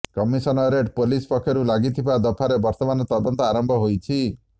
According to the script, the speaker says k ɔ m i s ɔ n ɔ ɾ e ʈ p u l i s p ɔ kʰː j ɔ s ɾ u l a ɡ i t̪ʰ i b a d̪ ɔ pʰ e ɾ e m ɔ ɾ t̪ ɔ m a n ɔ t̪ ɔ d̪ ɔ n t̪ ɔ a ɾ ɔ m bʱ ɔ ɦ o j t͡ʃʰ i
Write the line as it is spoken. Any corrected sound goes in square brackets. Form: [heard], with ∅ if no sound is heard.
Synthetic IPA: k ɔ m i s ɔ n ɔ ɾ e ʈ p [o] l i s p ɔ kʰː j ɔ [∅] ɾ u l a ɡ i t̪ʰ i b a d̪ ɔ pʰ [a] ɾ e [b] ɔ ɾ t̪ ɔ m a n ɔ t̪ ɔ d̪ ɔ n t̪ ɔ a ɾ ɔ m bʱ ɔ ɦ o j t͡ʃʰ i